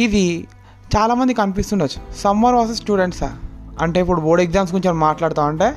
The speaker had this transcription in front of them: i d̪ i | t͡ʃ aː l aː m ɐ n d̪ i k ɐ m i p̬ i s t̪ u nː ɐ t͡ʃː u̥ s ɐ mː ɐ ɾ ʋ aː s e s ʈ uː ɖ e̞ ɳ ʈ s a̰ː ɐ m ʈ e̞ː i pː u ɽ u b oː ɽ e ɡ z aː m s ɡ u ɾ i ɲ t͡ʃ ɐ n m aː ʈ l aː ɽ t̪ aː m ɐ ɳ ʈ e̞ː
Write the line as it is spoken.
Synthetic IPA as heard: i d̪ i | t͡ʃ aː l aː m ɐ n d̪ i k ɐ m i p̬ i s t̪ u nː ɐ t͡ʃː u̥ s ɐ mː ɐ ɾ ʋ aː s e s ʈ uː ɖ e̞ ɳ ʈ s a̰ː ɐ ɳ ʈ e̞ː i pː u ɽ u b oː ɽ e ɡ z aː m s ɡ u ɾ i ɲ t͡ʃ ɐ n m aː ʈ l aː ɽ t̪ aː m ɐ ɳ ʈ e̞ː